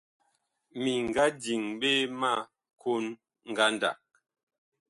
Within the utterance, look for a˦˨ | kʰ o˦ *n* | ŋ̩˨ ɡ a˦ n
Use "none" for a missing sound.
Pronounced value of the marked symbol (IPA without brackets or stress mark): n